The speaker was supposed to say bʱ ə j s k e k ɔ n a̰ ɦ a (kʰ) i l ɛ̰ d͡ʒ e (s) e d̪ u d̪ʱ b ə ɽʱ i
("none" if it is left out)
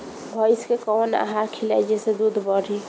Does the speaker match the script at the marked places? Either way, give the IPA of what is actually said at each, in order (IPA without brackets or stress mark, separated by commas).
kʰ, s